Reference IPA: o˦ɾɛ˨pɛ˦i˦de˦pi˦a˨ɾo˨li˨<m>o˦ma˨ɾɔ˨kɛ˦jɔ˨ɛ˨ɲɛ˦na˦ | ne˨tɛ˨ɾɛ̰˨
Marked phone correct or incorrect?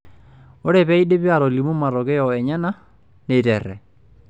correct